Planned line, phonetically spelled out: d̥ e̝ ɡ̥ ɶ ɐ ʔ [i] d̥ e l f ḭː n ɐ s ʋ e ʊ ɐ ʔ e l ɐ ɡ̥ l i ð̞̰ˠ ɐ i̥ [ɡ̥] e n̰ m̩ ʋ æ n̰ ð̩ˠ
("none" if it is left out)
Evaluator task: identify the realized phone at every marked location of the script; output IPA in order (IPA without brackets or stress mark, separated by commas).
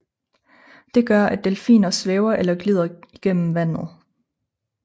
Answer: æ, ɡ̥